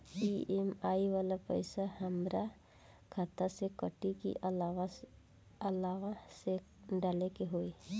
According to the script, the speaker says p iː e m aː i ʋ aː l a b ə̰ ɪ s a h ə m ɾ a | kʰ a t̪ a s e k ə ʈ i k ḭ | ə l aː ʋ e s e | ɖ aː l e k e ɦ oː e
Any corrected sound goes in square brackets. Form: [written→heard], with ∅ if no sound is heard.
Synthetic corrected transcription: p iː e m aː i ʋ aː l a [b→p] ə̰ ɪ s a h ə m ɾ a | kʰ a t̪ a s e k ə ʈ i k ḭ | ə l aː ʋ [e→a] s e | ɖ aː l e k e ɦ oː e